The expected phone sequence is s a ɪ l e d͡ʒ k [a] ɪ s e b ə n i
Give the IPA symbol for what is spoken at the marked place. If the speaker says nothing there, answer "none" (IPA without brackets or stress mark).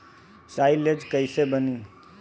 ə